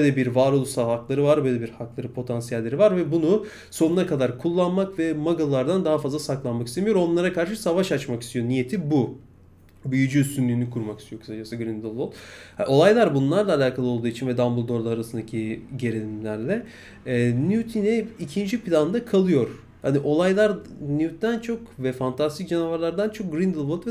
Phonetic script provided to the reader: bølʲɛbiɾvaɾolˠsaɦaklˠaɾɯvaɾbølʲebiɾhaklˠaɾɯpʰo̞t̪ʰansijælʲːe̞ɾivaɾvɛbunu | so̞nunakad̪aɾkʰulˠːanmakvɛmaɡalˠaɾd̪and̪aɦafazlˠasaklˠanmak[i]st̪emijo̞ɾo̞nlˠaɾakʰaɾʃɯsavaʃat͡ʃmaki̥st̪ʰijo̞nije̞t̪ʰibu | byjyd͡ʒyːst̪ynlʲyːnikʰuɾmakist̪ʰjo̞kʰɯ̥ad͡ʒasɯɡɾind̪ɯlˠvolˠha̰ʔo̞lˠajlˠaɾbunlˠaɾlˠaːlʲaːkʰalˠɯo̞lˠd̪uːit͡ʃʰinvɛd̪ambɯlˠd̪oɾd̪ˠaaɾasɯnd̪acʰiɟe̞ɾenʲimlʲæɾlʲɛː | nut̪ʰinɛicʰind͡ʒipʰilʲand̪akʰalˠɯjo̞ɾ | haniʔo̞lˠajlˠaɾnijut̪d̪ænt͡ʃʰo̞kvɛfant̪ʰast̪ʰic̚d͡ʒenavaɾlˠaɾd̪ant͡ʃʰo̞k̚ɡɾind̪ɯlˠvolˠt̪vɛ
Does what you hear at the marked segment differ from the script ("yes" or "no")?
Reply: no